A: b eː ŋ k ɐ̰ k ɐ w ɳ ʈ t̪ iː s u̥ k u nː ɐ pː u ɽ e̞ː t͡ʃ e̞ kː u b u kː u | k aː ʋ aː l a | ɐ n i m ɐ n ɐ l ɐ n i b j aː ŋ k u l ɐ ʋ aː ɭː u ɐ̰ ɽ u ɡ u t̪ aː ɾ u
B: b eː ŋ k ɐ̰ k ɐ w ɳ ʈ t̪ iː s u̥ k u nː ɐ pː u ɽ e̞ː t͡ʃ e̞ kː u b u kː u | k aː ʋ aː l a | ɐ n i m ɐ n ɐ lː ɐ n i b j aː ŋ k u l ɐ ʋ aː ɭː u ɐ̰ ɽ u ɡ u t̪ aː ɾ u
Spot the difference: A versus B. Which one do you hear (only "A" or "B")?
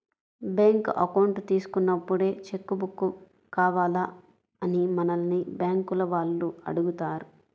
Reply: A